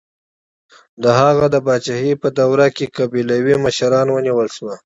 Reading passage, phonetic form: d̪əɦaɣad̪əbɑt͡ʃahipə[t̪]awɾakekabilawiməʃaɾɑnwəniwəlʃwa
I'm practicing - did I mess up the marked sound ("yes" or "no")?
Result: yes